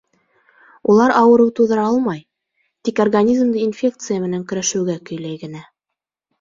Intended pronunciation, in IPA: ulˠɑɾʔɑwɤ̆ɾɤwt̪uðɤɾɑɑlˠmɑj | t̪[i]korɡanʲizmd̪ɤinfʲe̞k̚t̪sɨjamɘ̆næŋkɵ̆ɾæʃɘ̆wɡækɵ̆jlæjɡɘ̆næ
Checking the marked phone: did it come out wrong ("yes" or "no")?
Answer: no